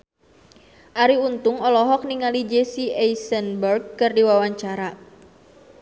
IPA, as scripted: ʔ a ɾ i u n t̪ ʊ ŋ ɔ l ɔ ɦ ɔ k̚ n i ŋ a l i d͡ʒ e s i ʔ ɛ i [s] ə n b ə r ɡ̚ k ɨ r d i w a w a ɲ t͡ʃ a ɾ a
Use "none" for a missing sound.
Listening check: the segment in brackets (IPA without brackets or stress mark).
s